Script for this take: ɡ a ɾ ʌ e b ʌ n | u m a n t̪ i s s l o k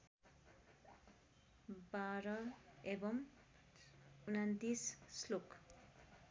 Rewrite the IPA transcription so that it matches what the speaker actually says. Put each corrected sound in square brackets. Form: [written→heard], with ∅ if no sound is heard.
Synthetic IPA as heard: [ɡ→b] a ɾ ʌ e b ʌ [n→m] | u [m→n] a n t̪ i s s l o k